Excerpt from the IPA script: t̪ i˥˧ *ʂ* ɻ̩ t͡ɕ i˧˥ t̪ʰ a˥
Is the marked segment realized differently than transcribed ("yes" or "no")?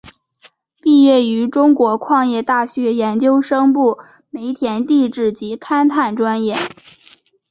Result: yes